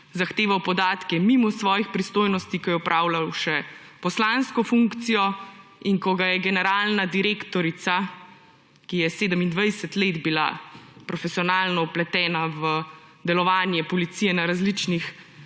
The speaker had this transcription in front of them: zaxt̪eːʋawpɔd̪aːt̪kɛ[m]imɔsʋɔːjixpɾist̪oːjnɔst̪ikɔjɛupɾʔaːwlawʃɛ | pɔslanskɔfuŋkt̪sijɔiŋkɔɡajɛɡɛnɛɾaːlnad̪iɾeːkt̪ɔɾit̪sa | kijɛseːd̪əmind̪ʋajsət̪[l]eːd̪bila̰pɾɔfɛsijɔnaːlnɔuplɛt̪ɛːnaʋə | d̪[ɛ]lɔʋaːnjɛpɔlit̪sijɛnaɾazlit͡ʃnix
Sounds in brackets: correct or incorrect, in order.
correct, correct, correct

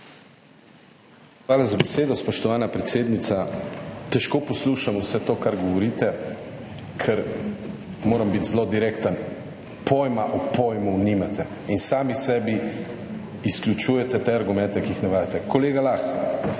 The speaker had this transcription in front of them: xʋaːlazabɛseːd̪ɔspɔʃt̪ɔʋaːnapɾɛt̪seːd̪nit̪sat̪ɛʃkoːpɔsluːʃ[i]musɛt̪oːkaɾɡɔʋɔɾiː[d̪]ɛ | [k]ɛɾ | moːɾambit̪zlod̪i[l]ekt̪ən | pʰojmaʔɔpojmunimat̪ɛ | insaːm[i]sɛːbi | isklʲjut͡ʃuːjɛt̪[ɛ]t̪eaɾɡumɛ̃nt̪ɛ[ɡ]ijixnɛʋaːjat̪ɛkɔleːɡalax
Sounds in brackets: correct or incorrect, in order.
incorrect: a, incorrect: t̪, incorrect: kʰ, incorrect: ɾ, correct, correct, incorrect: k

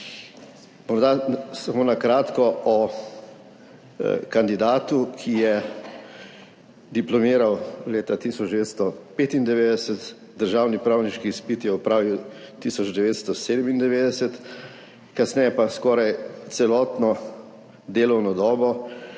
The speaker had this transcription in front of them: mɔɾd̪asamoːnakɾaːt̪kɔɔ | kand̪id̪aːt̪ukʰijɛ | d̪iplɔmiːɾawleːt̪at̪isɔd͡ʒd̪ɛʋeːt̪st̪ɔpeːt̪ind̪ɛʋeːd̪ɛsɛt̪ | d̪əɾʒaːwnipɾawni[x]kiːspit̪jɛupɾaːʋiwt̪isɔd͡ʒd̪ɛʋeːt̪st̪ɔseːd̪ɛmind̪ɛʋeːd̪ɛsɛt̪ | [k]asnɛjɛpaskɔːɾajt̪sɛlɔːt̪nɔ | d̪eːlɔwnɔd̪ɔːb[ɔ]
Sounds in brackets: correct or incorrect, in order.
incorrect: ʃ, correct, correct

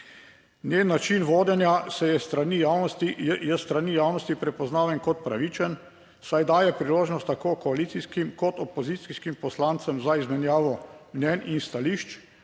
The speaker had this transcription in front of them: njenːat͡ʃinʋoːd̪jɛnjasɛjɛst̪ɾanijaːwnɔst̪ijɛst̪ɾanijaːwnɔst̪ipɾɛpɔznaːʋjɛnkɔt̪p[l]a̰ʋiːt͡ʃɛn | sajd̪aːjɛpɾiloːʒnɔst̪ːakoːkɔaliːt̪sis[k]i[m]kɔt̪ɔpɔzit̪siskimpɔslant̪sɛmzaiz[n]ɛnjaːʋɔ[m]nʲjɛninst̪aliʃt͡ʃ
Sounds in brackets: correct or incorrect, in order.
incorrect: ɾ, correct, correct, incorrect: m, correct

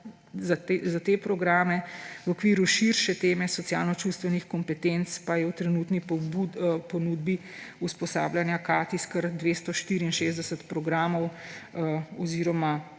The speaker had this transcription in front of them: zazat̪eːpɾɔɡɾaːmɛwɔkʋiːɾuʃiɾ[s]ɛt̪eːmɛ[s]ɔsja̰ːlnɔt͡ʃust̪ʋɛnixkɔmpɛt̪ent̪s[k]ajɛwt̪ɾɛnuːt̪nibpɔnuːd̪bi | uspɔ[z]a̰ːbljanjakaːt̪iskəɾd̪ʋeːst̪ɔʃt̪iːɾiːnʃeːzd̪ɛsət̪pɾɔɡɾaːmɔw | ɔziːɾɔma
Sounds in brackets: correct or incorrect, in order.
incorrect: ʃ, correct, incorrect: p, incorrect: s

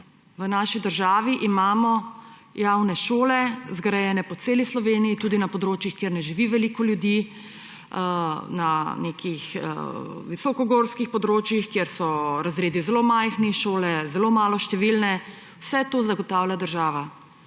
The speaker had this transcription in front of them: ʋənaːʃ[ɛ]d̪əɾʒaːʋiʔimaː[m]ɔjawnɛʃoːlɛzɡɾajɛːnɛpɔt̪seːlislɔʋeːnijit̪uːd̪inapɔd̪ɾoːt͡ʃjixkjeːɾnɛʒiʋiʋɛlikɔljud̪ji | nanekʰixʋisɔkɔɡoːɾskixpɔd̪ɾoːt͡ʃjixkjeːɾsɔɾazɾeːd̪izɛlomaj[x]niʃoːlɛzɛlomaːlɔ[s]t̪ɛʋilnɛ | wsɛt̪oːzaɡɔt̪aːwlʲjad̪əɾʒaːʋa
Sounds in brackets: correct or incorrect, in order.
incorrect: i, correct, correct, incorrect: ʃ

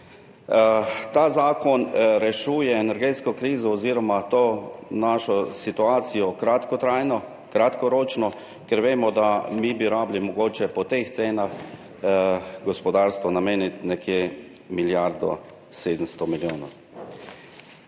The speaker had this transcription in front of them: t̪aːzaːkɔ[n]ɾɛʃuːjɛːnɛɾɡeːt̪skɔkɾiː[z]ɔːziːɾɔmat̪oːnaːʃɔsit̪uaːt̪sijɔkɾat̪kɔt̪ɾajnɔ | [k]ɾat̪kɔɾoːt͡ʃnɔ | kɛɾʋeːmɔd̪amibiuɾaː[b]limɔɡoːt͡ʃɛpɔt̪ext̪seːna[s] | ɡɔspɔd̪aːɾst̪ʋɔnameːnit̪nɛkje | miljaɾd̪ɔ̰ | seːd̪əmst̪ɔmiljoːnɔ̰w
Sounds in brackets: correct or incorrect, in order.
correct, correct, correct, correct, incorrect: x

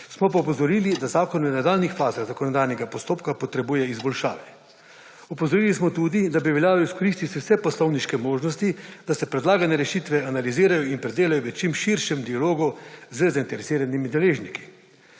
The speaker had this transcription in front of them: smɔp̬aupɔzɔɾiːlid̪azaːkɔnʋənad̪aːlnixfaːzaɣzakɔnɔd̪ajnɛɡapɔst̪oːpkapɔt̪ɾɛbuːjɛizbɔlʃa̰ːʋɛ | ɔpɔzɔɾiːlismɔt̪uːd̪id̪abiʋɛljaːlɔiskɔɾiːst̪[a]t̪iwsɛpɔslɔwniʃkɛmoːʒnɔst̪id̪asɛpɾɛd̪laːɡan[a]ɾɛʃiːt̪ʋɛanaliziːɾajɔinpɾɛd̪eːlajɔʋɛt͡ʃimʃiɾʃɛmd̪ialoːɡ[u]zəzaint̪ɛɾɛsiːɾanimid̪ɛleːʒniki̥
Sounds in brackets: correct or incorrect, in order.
incorrect: i, incorrect: ɛ, correct

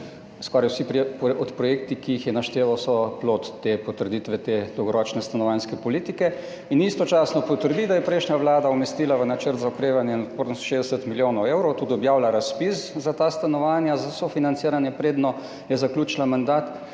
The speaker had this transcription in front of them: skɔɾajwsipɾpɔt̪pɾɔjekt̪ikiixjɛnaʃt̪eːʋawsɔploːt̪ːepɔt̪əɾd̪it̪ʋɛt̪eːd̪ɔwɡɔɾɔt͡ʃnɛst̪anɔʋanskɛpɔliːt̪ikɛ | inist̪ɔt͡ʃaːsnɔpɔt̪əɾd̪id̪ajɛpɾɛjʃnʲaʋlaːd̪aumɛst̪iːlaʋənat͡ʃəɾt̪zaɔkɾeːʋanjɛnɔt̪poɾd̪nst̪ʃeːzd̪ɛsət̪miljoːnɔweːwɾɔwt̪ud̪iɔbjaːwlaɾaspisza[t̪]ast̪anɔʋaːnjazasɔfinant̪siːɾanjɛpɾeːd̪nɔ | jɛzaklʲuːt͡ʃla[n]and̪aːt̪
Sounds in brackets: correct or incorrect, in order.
correct, incorrect: m

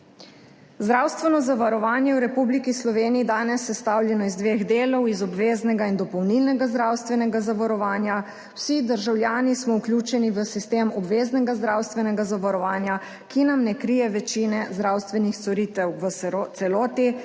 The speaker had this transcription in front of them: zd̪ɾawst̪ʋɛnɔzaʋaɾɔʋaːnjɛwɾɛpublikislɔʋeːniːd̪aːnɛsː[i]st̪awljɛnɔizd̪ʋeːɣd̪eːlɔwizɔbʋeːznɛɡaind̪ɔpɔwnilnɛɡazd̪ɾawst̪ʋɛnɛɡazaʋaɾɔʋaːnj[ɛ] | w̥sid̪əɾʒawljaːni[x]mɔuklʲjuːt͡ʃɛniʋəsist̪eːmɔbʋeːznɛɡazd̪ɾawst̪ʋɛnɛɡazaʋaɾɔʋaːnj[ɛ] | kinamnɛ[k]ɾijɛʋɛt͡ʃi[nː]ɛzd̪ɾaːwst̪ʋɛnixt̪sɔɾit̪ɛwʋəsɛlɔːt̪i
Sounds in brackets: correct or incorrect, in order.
incorrect: ɛ, incorrect: a, incorrect: s, incorrect: a, correct, incorrect: n

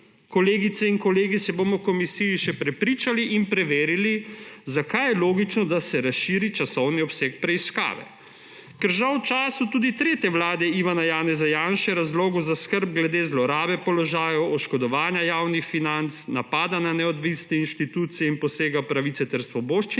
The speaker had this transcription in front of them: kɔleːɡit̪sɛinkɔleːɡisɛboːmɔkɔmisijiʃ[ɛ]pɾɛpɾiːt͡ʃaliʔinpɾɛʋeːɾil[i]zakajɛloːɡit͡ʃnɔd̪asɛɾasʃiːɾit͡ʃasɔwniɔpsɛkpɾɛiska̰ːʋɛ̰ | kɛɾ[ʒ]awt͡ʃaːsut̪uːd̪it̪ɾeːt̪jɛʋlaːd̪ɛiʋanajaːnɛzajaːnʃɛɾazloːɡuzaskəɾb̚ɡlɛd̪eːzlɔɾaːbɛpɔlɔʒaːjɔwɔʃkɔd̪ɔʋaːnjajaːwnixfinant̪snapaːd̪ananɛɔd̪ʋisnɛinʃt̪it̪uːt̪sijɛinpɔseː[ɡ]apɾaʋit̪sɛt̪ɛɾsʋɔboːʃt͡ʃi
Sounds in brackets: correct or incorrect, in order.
correct, correct, correct, correct

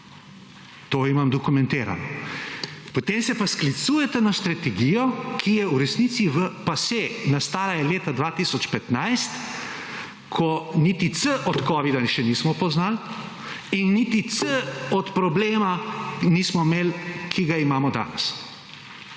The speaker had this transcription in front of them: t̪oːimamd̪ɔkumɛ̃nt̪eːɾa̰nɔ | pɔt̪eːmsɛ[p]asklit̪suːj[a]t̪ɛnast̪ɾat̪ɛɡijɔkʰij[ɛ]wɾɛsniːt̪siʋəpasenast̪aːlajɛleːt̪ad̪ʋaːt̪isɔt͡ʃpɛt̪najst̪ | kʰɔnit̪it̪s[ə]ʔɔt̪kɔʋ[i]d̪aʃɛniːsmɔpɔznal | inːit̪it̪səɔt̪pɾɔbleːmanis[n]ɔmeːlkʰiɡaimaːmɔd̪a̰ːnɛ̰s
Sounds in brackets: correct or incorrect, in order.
correct, incorrect: ɛ, correct, correct, correct, incorrect: m

